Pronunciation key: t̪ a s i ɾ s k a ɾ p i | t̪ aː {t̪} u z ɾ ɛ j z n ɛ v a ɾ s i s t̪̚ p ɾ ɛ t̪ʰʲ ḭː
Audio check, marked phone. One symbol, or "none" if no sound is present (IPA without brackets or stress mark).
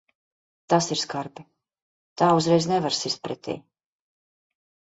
none